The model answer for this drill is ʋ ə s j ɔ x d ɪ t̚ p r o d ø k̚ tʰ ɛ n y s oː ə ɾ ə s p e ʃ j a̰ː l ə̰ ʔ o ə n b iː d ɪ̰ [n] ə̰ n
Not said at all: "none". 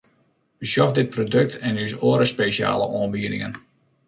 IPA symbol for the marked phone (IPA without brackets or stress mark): ŋ